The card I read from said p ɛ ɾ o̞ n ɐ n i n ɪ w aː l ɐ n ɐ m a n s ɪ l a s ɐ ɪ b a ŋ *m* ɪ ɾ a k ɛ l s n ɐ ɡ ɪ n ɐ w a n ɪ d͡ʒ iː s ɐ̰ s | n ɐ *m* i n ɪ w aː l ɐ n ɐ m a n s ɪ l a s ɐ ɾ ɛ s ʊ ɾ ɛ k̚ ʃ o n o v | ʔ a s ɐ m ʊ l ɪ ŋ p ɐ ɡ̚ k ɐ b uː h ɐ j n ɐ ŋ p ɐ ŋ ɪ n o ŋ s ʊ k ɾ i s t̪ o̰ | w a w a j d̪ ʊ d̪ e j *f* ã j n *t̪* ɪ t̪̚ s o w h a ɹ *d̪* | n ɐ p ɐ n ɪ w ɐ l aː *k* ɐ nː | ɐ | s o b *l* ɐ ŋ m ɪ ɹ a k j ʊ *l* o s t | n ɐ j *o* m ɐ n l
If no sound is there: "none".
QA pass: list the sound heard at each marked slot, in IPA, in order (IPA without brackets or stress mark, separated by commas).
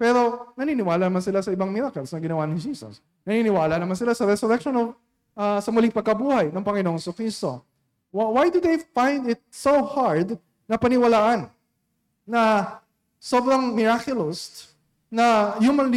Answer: m, n, f, d̪, d̪, ʔ, ɾ, l, u